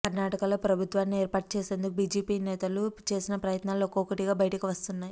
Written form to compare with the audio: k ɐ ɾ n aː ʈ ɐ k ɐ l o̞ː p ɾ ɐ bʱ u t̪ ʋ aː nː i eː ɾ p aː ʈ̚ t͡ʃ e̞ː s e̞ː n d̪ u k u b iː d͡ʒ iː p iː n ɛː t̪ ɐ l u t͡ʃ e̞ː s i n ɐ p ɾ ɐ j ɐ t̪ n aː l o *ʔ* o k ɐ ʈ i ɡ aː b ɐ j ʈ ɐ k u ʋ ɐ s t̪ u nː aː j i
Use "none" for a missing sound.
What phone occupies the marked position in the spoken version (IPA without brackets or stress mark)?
k